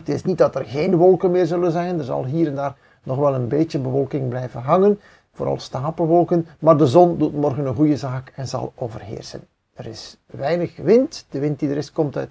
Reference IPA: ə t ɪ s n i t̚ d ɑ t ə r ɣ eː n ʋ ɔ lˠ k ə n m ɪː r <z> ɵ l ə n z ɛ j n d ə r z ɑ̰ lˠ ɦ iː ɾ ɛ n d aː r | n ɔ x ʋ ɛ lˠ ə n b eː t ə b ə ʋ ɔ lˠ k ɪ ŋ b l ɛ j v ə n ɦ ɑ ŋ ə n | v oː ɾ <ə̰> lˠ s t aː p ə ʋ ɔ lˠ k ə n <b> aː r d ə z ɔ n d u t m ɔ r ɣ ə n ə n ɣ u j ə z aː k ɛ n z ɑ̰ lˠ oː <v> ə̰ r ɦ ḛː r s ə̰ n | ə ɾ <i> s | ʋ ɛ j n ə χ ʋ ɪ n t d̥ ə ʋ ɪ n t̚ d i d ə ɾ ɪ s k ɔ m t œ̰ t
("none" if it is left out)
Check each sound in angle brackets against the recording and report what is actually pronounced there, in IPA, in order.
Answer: z, ɑ̰, m, v, ɪ

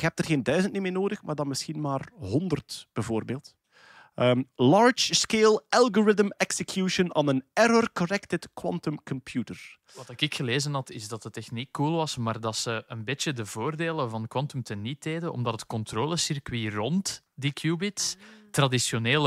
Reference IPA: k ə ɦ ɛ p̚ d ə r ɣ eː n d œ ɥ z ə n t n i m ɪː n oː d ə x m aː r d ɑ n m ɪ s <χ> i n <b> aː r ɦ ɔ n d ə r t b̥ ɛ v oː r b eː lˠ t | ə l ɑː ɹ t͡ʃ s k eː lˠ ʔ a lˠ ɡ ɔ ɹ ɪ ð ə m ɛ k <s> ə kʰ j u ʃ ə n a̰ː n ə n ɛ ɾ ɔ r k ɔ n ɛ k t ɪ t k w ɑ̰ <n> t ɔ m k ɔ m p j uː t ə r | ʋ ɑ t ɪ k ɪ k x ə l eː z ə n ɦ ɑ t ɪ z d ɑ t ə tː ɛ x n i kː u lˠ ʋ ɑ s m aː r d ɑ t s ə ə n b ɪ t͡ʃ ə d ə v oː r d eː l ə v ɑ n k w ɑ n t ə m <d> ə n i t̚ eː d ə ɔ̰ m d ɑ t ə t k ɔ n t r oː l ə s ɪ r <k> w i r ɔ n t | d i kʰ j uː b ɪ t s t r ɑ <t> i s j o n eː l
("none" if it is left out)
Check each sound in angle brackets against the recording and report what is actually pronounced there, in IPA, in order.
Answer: x, m, s, n, t, k, d

